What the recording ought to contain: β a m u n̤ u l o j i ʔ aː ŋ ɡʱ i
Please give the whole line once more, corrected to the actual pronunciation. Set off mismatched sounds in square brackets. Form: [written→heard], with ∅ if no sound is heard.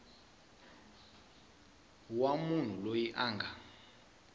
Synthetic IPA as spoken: [β→w] a m u n̤ u l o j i ʔ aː ŋ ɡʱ [i→a]